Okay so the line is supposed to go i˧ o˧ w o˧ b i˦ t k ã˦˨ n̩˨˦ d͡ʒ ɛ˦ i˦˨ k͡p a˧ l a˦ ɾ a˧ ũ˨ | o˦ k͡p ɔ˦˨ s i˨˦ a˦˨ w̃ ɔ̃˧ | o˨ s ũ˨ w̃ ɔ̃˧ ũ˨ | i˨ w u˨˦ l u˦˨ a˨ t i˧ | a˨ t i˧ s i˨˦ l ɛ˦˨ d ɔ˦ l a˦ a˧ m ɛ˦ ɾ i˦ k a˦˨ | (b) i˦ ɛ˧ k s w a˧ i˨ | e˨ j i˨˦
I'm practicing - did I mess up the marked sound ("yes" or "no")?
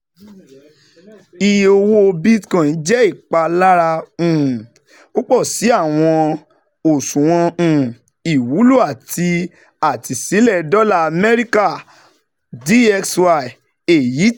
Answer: yes